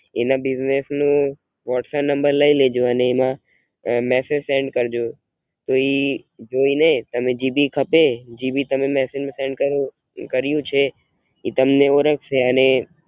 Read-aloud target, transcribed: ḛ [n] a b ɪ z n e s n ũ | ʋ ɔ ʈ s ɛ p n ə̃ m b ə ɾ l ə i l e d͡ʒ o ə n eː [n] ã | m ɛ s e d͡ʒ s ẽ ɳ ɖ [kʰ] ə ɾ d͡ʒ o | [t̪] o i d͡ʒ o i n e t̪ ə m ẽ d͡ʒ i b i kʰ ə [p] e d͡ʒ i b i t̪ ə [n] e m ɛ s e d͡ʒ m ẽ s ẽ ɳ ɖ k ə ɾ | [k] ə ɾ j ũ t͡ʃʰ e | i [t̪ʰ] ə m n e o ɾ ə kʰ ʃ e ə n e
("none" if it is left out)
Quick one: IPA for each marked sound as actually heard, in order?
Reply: n, m, k, t̪, p, m, k, t̪

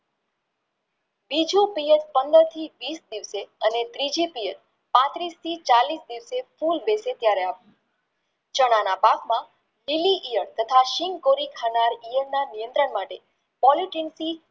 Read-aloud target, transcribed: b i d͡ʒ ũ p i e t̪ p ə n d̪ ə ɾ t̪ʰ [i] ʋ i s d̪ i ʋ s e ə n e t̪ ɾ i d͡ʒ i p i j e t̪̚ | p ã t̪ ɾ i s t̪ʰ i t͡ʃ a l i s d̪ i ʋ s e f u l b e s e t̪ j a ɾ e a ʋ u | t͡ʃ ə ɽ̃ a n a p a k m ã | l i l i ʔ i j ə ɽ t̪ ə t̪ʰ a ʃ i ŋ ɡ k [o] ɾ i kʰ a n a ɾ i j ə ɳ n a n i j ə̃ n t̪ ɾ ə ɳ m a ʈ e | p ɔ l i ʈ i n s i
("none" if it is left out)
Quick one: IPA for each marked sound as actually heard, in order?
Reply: i, o

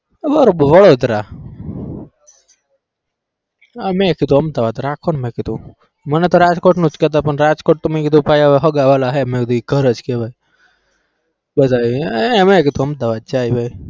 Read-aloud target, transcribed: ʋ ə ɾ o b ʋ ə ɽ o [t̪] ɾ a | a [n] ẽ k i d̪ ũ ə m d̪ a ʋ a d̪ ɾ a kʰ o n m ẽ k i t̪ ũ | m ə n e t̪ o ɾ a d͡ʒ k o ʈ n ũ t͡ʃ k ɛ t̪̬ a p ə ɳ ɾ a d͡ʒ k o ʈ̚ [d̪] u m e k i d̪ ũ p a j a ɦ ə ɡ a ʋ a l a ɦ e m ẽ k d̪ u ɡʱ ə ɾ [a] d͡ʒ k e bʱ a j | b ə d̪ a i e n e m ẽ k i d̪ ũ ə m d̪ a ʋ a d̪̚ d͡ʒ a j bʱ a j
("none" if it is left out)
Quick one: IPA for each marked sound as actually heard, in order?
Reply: d̪, m, t̪, ə

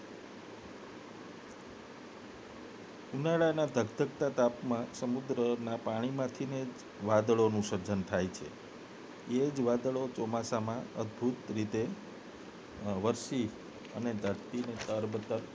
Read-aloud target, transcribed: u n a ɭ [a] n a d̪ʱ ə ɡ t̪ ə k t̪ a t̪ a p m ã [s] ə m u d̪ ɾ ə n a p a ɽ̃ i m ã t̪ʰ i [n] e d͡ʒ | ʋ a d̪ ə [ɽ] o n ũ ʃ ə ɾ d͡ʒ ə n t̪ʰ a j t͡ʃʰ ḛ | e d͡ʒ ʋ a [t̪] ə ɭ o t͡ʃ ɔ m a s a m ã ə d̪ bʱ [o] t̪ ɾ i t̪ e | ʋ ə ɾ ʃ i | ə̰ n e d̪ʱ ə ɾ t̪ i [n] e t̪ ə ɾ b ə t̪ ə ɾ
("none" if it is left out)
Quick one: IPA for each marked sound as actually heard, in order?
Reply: a, s, n, ɭ, d̪, u, n

